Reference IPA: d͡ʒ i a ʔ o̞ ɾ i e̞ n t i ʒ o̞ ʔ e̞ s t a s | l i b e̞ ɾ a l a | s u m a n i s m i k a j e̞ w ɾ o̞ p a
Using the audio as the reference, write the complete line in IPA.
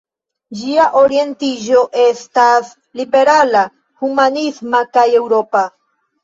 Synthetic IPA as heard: d͡ʒ i a ʔ o̞ ɾ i e̞ n t i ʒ o̞ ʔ e̞ s t a s | l i b e̞ ɾ a l a | h u m a n i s m a k a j e̞ w ɾ o̞ p a